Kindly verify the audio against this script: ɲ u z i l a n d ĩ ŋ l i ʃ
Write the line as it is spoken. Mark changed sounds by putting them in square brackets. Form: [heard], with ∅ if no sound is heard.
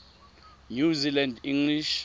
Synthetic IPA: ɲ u z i l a n d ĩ ŋ l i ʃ